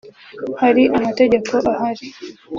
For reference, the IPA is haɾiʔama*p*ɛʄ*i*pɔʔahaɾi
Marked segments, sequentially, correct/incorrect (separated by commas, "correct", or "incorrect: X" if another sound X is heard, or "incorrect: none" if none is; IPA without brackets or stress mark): incorrect: t, incorrect: a